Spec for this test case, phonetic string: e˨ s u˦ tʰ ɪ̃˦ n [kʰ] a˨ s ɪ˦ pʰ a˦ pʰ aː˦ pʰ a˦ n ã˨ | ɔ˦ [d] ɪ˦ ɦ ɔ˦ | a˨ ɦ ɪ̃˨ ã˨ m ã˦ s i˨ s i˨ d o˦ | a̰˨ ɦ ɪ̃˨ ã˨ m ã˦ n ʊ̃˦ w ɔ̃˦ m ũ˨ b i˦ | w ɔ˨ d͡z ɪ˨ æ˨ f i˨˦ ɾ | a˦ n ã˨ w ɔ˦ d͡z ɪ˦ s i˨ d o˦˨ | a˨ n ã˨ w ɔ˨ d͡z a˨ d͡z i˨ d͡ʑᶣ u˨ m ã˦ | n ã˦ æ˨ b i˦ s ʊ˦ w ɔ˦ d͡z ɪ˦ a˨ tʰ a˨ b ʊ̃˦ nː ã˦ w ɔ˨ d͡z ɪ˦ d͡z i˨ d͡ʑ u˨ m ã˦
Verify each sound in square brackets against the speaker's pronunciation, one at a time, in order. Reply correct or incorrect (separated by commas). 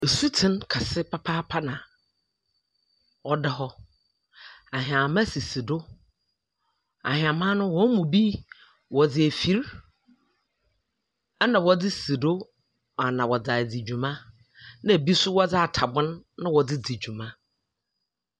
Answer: correct, correct